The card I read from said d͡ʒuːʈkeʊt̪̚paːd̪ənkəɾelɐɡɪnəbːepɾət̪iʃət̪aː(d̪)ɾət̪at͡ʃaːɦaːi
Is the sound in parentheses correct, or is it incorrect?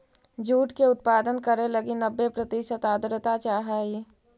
correct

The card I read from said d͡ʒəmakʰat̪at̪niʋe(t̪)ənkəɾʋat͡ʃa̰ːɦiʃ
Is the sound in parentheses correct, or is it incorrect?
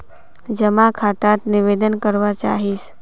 incorrect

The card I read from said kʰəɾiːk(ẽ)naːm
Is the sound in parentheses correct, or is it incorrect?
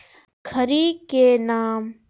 incorrect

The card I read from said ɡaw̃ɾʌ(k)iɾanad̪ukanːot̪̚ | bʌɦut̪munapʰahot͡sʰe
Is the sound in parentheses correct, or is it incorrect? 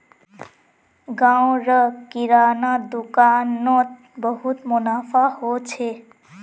correct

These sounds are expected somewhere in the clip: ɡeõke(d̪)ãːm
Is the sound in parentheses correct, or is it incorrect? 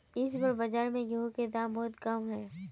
correct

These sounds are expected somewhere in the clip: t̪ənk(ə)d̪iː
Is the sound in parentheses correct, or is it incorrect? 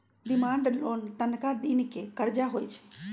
incorrect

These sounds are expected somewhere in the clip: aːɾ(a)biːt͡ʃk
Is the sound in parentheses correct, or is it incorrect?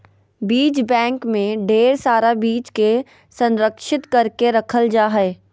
correct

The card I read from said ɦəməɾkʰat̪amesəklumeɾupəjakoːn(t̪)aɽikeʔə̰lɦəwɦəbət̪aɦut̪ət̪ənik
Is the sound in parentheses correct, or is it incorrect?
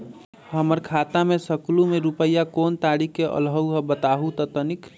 correct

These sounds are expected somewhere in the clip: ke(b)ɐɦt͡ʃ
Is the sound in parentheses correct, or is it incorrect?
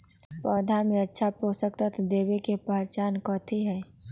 incorrect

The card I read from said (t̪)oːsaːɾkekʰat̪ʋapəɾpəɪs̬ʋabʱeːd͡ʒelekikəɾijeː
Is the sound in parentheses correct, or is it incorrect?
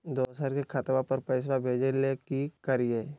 incorrect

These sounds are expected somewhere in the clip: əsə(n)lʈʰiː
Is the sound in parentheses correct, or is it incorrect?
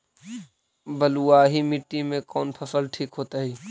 incorrect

